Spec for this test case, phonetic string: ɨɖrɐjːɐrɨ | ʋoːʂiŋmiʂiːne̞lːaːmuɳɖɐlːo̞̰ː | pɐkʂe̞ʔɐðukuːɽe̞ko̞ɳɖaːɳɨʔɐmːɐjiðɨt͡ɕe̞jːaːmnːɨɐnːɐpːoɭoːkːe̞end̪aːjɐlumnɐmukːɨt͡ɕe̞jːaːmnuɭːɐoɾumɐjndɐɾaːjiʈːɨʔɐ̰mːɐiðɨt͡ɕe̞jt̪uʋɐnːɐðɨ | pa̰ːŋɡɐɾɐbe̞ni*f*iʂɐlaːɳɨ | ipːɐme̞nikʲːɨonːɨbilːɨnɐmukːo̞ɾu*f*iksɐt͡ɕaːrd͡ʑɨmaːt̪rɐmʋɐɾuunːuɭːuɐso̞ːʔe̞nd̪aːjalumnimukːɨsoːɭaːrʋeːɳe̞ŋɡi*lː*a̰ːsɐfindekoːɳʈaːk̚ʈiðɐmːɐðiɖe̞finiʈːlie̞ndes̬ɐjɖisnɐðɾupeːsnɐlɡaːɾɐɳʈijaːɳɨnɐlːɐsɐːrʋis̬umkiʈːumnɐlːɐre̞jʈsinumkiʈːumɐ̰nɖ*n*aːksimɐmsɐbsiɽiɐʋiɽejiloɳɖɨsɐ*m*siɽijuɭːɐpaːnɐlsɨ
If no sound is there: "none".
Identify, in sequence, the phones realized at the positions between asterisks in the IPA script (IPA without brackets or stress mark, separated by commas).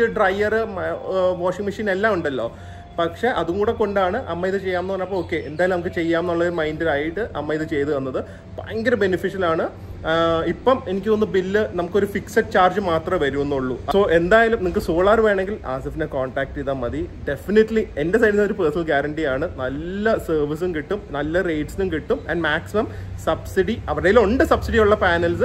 f, f, l, m, b